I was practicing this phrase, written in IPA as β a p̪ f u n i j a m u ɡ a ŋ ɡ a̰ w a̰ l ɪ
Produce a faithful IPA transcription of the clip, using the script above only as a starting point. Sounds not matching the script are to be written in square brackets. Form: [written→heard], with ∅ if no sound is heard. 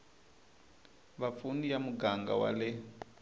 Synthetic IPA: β a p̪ f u n i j a m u ɡ a ŋ ɡ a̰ w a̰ l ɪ